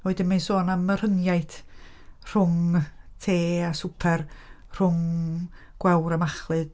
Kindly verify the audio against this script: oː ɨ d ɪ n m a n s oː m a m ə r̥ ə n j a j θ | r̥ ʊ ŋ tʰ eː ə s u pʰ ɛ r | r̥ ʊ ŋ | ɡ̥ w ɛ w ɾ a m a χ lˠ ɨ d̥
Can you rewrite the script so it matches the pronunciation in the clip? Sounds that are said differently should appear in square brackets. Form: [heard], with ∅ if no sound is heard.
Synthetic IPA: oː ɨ d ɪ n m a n s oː [n] a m ə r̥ ə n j a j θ | r̥ ʊ ŋ tʰ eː [a] s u pʰ ɛ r | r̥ ʊ ŋ | ɡ̥ w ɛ w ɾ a m a χ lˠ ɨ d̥

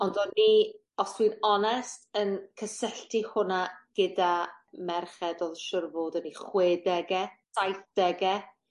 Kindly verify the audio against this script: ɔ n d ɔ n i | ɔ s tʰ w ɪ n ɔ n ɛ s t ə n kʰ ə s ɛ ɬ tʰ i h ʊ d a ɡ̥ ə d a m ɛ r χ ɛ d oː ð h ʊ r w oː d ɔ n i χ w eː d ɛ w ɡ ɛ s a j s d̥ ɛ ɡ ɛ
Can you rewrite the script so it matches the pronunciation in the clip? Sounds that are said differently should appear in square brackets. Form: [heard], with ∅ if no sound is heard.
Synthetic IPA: ɔ n d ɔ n i | ɔ s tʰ w [i] n ɔ n ɛ s t ə n kʰ ə s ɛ ɬ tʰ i h ʊ [n] a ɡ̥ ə d a m ɛ r χ ɛ d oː ð [ʃ] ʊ r [v] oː d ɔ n i χ w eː d ɛ [∅] ɡ ɛ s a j [θ] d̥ ɛ ɡ ɛ

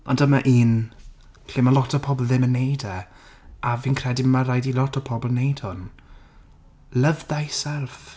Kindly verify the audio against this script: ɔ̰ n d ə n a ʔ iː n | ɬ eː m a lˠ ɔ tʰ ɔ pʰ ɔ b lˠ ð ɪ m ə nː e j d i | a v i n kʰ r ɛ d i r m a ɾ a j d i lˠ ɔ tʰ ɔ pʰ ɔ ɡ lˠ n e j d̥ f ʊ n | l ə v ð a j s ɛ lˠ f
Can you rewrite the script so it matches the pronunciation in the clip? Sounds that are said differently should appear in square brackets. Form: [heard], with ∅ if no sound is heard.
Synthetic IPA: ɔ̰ n d ə [m] a ʔ iː n | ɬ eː m a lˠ ɔ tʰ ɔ pʰ ɔ b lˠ ð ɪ m ə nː e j d [ɛ] | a v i n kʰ r ɛ d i [∅] m a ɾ a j d i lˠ ɔ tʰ ɔ pʰ ɔ [b] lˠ n e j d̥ [h] ʊ n | l ə v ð a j s ɛ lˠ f

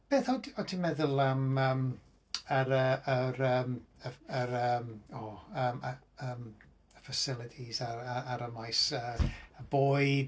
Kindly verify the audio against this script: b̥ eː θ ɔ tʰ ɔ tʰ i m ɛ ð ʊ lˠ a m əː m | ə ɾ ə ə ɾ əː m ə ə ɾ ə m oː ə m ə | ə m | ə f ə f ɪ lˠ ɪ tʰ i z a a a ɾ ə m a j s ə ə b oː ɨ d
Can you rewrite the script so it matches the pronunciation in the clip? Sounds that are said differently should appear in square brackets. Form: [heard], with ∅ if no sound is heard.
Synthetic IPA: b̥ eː θ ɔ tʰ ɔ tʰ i m ɛ ð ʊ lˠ a m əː m | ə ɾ ə ə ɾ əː m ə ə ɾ ə m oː ə m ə | ə m | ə f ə [s] ɪ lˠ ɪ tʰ i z a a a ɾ ə m a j s ə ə b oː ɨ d

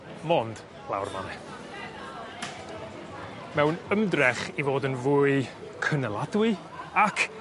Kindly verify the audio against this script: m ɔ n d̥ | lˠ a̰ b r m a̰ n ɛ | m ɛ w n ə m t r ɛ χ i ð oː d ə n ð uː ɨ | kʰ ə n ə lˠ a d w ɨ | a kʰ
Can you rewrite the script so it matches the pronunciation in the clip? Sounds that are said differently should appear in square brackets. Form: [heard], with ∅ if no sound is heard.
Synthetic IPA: m ɔ n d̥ | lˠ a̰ [w] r m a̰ n ɛ | m ɛ w n ə m [d] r ɛ χ i [v] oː d ə n [v] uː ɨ | kʰ ə n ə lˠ a d w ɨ | a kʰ

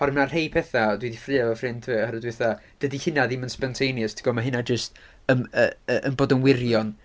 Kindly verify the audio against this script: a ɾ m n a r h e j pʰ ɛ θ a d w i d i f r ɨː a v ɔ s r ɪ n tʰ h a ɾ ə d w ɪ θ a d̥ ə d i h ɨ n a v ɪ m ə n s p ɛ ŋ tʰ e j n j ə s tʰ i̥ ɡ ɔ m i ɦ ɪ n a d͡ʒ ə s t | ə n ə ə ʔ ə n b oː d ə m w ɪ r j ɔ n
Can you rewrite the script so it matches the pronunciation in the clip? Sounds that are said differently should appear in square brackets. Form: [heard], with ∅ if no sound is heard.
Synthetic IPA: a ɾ m n a r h e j pʰ ɛ θ a d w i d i f r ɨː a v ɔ [f] r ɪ n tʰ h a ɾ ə d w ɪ θ a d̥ ə d i h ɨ n a [ð] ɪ m ə n s p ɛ [n] tʰ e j n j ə s tʰ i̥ ɡ ɔ m [a] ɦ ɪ n a d͡ʒ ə s t | ə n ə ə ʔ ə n b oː d ə [n] w ɪ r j ɔ n

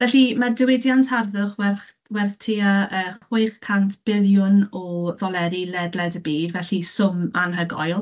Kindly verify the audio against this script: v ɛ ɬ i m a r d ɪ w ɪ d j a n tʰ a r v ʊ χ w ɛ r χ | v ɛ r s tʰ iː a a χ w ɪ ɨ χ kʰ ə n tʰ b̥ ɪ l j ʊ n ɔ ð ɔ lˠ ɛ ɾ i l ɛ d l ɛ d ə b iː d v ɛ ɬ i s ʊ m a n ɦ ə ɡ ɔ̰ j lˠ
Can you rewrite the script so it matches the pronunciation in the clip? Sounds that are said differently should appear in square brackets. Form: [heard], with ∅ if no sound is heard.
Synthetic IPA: v ɛ ɬ i m a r d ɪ w ɪ d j a n tʰ a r [ð] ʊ χ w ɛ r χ | [w] ɛ r [θ] tʰ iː a [ə] χ w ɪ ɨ χ kʰ [a] n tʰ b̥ ɪ l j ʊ n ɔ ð ɔ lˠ ɛ ɾ i l ɛ d l ɛ d ə b iː d v ɛ ɬ i s ʊ m a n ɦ ə ɡ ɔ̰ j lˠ

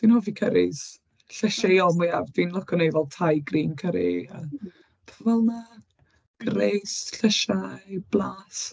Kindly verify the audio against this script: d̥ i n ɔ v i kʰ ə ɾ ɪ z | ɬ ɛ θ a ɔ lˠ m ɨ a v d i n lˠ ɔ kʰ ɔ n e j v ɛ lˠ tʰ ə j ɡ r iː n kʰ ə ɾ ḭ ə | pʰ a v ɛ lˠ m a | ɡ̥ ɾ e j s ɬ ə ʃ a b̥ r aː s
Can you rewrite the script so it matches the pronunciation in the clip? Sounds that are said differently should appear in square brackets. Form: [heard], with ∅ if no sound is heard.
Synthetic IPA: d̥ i n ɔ v i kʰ ə ɾ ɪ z | ɬ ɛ [ʃ] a ɔ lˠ m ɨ a v d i n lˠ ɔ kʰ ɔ n e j v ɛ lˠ tʰ [a] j ɡ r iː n kʰ ə ɾ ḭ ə | pʰ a v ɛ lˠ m a | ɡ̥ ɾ e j s ɬ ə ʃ a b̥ [l] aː s

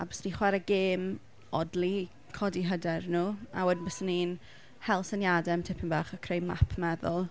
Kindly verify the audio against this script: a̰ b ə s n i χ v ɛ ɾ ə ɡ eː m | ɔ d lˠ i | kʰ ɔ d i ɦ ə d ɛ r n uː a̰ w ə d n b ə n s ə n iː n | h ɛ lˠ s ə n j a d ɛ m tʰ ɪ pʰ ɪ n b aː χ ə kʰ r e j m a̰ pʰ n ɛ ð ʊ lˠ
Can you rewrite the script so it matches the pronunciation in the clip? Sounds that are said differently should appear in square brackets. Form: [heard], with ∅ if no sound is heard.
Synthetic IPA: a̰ b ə s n i χ [w] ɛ ɾ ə ɡ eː m | ɔ d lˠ i | kʰ ɔ d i ɦ ə d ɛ r n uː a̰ w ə d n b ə [∅] s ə n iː n | h ɛ lˠ s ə n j a d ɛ m tʰ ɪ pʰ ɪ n b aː χ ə kʰ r e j m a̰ pʰ [m] ɛ ð ʊ lˠ

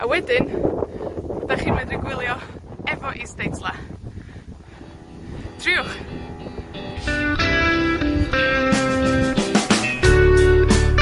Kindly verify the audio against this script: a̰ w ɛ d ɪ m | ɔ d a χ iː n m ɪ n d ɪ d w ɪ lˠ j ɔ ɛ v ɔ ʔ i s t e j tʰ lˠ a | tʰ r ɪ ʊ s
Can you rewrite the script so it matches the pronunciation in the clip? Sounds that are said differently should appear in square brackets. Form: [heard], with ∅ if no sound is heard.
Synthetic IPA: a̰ w ɛ d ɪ [n] | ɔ d a χ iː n m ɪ n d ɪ [ɡ] w ɪ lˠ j ɔ ɛ v ɔ ʔ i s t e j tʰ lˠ a | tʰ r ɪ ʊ [χ]

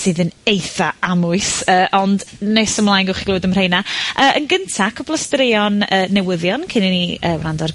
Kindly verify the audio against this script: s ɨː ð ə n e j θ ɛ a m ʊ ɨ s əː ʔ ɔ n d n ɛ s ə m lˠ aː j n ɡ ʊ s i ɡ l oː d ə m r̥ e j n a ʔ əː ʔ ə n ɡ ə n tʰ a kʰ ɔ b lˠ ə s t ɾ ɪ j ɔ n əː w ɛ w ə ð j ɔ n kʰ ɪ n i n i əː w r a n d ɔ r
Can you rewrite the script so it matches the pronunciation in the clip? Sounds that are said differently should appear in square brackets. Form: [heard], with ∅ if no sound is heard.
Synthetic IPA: s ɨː ð ə n e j θ [a] a m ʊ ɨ s əː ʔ ɔ n d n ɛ s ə m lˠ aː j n ɡ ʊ [χ] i ɡ l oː d ə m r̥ e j n a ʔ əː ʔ ə n ɡ ə n tʰ a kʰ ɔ b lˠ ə s t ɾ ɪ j ɔ n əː [∅] ɛ w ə ð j ɔ n kʰ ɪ n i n i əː w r a n d ɔ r

